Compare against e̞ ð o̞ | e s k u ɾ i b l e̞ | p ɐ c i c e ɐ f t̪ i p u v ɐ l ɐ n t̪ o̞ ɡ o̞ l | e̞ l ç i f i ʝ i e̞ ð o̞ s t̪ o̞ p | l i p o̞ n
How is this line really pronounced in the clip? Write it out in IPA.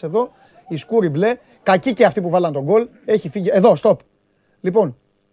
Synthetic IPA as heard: e̞ ð o̞ | i s k u ɾ i b l e̞ | k ɐ c i c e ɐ f t̪ i p u v ɐ l ɐ n t̪ o̞ ɡ o̞ l | e̞ ç i f i ʝ i e̞ ð o̞ s t̪ o̞ p | l i p o̞ n